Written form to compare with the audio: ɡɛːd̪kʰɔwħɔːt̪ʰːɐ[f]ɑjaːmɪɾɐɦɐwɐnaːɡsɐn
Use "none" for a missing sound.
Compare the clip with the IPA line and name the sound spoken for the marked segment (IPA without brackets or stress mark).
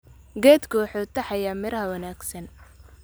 ħ